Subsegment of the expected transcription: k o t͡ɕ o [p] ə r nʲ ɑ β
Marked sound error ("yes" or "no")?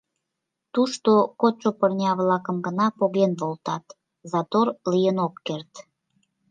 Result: no